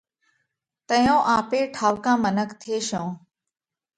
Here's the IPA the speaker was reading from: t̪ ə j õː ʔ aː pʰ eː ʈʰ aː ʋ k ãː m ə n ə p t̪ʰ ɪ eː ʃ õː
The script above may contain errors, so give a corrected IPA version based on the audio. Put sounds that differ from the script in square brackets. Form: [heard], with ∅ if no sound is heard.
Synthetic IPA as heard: t̪ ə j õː ʔ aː [p] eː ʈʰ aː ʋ k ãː m ə n ə [k] t̪ʰ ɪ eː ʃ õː